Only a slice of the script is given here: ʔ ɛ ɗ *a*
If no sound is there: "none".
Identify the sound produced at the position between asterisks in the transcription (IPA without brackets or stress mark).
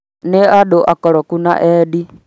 i